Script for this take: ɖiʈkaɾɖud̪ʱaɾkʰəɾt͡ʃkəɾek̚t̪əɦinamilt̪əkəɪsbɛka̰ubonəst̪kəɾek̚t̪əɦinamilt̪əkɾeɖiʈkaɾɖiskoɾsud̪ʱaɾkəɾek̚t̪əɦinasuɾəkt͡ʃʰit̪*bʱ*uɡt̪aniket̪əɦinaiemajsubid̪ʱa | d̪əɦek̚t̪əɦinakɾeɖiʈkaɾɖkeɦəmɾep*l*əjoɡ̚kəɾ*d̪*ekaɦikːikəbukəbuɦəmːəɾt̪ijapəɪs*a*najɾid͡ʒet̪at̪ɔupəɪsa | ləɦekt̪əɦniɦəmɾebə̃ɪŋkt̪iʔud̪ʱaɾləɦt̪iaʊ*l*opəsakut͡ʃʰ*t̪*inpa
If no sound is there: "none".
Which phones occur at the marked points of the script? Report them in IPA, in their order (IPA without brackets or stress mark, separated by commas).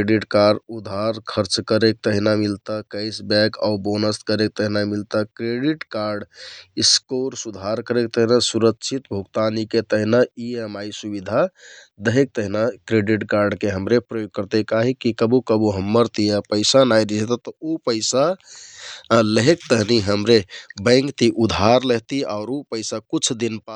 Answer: bʱ, ɾ, t̪, a, ɾ, d̪